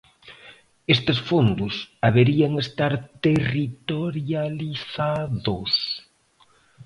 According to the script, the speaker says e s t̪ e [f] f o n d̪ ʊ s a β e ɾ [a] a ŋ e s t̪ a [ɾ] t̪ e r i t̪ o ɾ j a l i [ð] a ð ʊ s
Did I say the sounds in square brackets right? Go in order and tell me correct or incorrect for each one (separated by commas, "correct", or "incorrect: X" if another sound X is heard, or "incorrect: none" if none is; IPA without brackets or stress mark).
incorrect: s, incorrect: i, correct, incorrect: θ